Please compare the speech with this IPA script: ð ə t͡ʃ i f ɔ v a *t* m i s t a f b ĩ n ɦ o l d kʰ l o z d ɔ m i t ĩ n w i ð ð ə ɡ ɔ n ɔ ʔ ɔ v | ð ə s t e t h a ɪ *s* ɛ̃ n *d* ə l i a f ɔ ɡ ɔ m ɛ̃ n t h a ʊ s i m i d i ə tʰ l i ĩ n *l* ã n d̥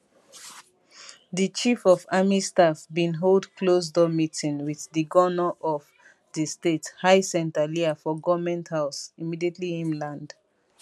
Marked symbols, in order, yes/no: no, yes, no, yes

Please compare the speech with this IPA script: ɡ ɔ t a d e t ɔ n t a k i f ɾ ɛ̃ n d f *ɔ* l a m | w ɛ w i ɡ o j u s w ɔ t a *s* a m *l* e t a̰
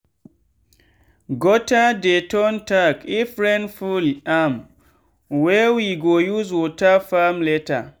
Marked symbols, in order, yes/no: no, no, yes

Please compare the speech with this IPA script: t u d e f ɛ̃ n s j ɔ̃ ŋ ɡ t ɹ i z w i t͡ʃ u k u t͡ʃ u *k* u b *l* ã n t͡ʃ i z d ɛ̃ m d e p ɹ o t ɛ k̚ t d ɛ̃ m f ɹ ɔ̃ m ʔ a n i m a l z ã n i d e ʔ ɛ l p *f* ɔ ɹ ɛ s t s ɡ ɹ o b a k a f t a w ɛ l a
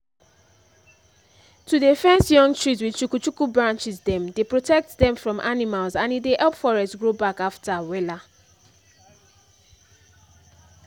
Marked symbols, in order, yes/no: yes, no, yes

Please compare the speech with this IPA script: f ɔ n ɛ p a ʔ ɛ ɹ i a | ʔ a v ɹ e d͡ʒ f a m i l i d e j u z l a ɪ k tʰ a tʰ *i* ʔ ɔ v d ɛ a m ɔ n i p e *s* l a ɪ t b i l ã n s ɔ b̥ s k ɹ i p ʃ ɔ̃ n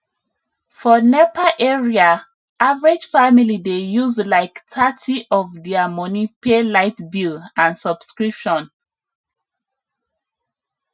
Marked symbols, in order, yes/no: yes, no

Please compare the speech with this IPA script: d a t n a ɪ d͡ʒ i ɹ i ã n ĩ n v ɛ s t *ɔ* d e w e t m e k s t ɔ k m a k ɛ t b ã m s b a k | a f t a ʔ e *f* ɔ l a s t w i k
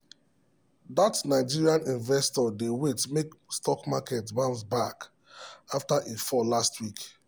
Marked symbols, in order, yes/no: yes, yes

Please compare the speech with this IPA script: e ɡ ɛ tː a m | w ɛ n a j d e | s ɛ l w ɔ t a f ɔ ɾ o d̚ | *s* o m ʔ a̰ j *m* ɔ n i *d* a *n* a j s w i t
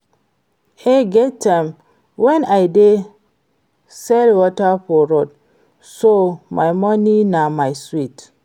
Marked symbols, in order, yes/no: yes, yes, no, no

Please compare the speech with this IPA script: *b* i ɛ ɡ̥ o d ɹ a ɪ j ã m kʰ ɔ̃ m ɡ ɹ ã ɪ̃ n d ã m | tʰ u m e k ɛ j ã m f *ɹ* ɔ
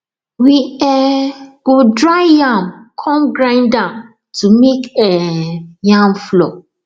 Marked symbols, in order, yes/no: no, no

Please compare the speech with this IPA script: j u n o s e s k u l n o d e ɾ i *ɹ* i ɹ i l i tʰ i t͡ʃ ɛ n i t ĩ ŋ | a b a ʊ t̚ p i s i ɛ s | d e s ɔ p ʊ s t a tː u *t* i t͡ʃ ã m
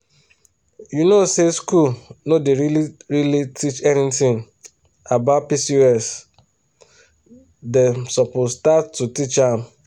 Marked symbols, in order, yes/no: no, yes

